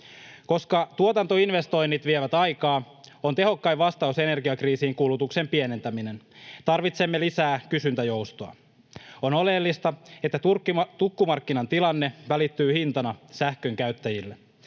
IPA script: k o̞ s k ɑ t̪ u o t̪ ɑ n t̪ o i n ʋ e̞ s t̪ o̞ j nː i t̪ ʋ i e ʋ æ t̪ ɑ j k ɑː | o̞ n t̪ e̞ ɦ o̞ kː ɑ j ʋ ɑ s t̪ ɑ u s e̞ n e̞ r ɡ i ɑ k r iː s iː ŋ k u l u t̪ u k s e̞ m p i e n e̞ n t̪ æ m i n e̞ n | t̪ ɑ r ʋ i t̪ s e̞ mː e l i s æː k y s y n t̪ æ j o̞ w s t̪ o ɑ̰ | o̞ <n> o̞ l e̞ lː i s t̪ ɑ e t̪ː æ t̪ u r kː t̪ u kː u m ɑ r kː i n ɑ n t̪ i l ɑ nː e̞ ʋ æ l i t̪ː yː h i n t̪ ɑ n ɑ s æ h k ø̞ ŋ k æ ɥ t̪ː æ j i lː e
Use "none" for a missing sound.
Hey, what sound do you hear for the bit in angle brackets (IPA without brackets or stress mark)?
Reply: n